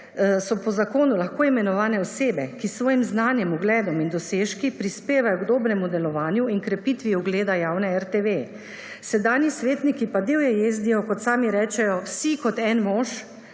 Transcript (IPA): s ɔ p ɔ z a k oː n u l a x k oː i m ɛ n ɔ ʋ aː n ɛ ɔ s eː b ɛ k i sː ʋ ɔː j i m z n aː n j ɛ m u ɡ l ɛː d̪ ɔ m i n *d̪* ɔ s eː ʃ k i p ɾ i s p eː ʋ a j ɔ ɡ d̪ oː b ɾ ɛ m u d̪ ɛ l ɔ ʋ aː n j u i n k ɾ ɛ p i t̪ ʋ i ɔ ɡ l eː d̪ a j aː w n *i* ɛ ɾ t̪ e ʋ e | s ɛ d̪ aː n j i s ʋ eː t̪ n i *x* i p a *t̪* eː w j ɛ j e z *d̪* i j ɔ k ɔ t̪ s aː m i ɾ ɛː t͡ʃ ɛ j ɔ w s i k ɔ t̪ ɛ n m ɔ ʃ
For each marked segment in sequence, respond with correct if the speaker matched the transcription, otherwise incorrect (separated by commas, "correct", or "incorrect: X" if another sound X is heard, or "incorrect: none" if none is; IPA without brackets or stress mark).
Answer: correct, incorrect: ɛ, incorrect: k, incorrect: d̪, correct